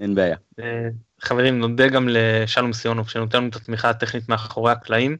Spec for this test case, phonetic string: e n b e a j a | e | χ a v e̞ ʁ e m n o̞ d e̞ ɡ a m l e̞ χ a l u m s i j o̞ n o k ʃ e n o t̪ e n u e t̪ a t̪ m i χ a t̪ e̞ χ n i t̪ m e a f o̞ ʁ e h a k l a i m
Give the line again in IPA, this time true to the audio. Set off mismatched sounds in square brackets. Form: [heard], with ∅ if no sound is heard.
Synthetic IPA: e n b e a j a | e | χ a v e̞ ʁ [i] m n o̞ d e̞ ɡ a m l e̞ [ʃ] a l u m s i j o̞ n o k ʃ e n o t̪ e n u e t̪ a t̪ m i χ a t̪ e̞ χ n i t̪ m e a [χ] o̞ ʁ e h a k l a i m